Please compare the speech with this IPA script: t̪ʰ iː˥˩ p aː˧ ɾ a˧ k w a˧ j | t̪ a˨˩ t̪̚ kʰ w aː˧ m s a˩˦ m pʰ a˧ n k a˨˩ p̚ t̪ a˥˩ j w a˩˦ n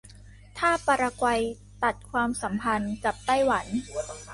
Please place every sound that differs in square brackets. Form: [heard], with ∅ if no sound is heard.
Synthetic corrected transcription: t̪ʰ [aː˥˩] p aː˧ ɾ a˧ k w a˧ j | t̪ a˨˩ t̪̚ kʰ w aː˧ m s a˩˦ m pʰ a˧ n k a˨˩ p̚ t̪ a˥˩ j w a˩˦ n